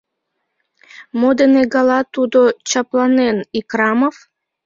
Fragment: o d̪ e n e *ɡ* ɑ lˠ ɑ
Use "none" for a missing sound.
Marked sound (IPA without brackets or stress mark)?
ɡ